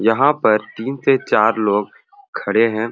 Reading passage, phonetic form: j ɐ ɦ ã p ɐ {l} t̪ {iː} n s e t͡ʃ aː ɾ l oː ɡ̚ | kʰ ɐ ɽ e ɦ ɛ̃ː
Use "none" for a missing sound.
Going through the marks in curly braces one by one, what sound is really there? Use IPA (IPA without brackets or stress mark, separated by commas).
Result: ɾ, iː